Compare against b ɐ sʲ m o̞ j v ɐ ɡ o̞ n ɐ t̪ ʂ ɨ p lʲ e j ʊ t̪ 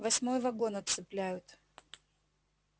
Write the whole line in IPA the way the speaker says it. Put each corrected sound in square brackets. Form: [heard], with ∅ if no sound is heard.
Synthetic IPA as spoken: [v] ɐ sʲ m o̞ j v ɐ ɡ o̞ n ɐ t̪ [s] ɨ p lʲ [æ] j ʊ t̪